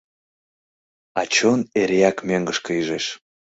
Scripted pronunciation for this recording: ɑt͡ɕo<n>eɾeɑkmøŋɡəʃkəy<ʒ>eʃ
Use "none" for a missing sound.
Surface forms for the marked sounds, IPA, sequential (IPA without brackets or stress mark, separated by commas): n, ʒ